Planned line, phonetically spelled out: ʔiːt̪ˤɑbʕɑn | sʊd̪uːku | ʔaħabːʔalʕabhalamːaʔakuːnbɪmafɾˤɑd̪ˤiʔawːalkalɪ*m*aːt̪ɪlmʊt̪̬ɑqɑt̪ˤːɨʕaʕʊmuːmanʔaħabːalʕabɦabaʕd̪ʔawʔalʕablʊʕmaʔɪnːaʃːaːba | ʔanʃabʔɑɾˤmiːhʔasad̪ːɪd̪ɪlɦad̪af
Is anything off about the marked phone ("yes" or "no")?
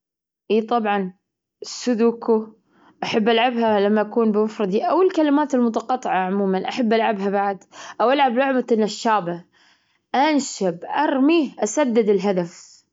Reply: no